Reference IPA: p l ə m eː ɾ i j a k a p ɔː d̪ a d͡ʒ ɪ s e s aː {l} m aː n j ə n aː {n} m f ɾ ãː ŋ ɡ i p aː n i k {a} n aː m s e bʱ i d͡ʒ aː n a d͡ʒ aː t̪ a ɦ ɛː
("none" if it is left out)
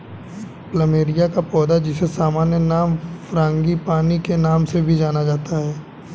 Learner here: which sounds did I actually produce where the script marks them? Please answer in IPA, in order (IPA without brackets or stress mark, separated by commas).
none, none, e